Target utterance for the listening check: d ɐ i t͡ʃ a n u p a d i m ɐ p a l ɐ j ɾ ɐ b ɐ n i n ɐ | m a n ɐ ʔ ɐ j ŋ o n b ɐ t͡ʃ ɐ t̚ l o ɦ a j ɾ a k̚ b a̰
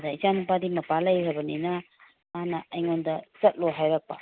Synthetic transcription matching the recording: d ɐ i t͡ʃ a n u p a d i m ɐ p a l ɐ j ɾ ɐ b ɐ n i n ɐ | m a n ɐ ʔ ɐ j ŋ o n d ɐ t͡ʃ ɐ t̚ l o ɦ a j ɾ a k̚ p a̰